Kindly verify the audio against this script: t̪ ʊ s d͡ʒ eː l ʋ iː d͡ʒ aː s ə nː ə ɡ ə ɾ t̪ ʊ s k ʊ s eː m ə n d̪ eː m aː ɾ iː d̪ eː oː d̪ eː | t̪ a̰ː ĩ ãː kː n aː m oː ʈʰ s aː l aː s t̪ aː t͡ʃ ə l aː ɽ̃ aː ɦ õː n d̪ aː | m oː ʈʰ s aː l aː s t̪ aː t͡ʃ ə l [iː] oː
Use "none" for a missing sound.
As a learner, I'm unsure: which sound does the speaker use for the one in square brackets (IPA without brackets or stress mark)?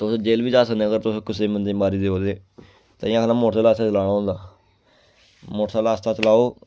aː